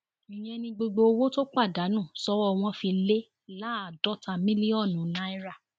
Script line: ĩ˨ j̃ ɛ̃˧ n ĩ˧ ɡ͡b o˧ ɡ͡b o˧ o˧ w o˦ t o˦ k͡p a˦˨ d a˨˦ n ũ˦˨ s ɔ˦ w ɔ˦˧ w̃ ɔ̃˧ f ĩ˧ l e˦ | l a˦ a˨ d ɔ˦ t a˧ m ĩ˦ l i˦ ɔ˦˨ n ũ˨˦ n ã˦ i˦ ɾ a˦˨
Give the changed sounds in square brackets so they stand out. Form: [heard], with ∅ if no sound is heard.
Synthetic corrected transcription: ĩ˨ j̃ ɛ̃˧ n ĩ˧ ɡ͡b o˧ ɡ͡b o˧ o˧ w o˦ t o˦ k͡p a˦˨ d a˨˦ n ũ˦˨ s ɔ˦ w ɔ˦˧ w̃ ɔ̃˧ f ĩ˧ l e˦ | l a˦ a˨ d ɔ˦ t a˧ m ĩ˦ l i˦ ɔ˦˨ n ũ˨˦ n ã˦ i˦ ɾ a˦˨

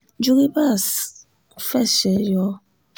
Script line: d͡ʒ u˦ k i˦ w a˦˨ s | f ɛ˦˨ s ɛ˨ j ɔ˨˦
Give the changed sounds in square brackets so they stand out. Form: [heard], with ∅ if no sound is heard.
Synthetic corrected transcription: d͡ʒ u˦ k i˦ [b] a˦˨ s | f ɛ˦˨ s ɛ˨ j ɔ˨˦

